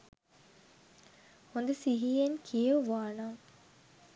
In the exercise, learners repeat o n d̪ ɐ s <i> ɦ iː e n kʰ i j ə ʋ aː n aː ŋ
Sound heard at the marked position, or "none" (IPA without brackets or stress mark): i